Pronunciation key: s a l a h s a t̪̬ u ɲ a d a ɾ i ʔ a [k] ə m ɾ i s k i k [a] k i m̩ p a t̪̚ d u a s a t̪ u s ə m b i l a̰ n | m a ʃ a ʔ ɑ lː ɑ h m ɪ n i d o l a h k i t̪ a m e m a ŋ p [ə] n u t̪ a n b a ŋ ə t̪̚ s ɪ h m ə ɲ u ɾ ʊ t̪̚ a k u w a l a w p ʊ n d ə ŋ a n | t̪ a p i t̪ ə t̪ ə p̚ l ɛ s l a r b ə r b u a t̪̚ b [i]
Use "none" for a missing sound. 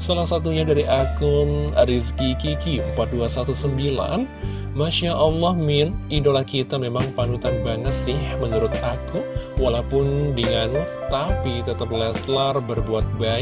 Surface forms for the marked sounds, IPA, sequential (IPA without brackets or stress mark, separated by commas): k, i, a, a